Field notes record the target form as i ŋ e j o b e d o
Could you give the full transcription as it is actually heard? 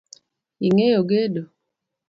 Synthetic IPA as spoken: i ŋ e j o ɡ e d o